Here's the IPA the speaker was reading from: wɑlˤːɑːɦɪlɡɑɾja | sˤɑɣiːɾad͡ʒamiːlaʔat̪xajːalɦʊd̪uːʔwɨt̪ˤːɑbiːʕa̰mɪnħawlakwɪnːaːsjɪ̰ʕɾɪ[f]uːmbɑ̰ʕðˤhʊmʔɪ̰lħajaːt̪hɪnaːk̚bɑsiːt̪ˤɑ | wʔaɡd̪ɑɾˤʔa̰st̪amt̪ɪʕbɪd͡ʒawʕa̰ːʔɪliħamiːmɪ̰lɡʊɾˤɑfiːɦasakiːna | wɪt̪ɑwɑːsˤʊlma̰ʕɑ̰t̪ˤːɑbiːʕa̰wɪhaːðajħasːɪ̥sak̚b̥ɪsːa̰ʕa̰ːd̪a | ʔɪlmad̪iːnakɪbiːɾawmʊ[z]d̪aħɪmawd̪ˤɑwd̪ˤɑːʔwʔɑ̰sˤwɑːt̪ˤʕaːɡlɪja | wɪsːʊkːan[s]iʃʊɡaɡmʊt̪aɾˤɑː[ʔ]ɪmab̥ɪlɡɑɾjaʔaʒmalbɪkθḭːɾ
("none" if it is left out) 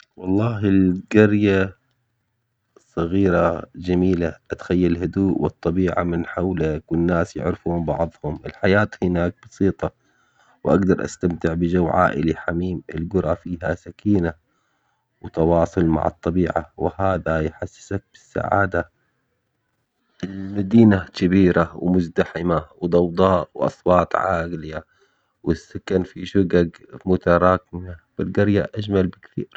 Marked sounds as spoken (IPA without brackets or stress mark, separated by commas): f, z, f, k